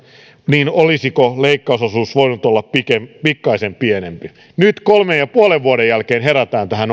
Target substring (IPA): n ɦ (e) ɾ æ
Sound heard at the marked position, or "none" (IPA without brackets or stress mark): e